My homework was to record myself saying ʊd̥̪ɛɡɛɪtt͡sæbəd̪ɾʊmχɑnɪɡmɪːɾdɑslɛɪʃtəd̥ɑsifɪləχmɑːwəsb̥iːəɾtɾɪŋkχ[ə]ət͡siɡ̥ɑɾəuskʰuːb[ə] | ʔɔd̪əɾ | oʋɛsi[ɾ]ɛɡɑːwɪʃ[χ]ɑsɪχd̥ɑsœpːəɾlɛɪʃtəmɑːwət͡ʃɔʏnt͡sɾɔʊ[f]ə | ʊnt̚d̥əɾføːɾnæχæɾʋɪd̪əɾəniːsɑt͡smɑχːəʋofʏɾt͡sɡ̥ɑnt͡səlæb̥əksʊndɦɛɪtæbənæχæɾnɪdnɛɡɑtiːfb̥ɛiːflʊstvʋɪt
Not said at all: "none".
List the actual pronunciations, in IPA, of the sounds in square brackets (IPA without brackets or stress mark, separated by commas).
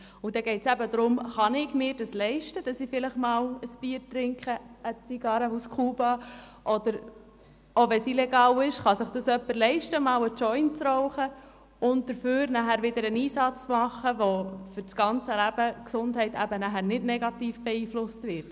ə, ɑ, l, χ, χ